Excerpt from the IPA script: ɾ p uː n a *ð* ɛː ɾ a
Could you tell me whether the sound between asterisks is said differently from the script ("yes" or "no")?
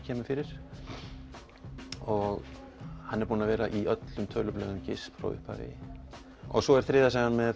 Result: yes